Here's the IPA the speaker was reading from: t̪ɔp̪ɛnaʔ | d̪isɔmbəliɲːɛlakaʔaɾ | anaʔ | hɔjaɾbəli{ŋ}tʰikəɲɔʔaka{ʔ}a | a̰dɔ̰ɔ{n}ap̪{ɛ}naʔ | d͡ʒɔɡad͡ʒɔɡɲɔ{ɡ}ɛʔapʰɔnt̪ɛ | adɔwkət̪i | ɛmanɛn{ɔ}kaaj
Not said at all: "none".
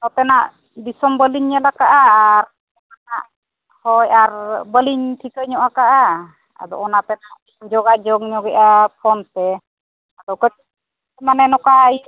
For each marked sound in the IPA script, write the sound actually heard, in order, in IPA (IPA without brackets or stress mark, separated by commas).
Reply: ɲ, ʔ, n, ɛ, ɡ, ɔ